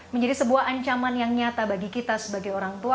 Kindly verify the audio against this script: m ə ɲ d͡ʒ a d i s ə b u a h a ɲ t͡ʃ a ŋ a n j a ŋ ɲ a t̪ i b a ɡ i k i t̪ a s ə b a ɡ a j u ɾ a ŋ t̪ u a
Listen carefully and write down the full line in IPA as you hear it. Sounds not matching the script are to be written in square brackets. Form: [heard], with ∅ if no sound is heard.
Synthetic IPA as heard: m ə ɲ d͡ʒ a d i s ə b u a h a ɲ t͡ʃ a [m] a n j a ŋ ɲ a t̪ [a] b a ɡ i k i t̪ a s ə b a ɡ a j [o] ɾ a ŋ t̪ u a